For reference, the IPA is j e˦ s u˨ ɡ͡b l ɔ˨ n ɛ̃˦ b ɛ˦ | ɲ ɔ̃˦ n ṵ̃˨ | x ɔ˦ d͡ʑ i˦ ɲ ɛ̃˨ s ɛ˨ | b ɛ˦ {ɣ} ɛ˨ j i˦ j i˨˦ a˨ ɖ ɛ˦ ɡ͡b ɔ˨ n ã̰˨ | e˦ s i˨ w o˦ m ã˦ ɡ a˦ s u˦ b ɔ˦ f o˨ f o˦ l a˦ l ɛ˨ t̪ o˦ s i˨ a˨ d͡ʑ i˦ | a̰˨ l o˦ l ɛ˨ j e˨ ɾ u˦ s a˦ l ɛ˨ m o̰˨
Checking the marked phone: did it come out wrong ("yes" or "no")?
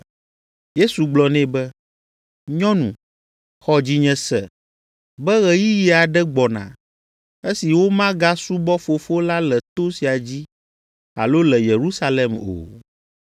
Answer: no